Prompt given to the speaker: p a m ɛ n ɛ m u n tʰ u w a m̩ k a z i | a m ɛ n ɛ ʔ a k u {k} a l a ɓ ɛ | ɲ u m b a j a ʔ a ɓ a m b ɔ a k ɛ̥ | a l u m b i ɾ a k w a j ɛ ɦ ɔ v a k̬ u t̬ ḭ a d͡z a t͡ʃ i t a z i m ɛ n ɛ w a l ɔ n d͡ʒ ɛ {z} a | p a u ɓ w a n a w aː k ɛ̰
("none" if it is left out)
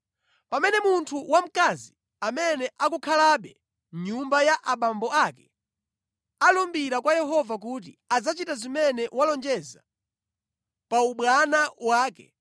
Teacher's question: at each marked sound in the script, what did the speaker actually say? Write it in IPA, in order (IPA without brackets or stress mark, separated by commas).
kʰ, z